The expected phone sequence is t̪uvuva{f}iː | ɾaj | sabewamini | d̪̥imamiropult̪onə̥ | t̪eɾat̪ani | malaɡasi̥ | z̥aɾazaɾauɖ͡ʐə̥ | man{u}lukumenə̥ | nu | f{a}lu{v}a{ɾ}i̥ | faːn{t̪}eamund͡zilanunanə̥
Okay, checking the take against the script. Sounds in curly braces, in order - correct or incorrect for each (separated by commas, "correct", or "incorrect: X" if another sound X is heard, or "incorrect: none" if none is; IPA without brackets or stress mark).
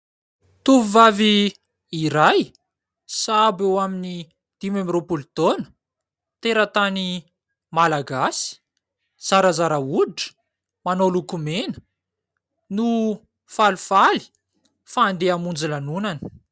incorrect: v, incorrect: o, correct, incorrect: f, incorrect: l, incorrect: d̪